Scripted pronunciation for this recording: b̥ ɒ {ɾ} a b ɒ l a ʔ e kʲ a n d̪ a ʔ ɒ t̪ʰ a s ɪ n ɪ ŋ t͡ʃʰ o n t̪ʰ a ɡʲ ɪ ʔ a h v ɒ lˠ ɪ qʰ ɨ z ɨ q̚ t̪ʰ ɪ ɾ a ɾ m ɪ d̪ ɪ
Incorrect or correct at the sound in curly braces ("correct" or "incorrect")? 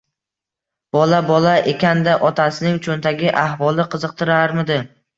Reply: incorrect